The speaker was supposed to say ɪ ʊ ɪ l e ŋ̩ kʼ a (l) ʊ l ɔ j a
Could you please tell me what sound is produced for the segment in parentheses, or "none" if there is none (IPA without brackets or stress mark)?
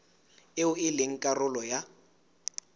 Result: r